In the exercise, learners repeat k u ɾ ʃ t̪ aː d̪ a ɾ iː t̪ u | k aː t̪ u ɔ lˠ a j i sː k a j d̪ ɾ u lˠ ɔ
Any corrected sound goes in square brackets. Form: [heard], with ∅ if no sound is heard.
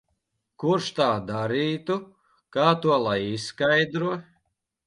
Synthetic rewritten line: k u ɾ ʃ t̪ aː d̪ a ɾ iː t̪ u | k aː t̪ u ɔ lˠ a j i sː k a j d̪ ɾ u [∅] ɔ